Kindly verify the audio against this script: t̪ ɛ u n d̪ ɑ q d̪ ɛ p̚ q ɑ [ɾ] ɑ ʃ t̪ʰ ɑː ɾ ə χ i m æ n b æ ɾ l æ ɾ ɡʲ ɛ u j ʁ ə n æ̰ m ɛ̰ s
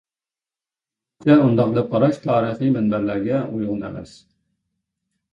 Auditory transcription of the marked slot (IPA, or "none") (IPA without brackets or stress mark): ɾ